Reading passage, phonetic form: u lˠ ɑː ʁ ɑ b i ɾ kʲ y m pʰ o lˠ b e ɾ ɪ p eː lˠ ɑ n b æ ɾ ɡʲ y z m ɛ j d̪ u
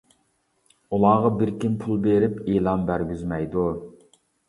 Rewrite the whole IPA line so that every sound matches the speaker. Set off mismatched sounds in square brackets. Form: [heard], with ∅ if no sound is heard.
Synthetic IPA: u lˠ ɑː ʁ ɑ b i ɾ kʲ [i] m pʰ [u] lˠ b e ɾ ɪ p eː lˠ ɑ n b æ ɾ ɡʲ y z m ɛ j d̪ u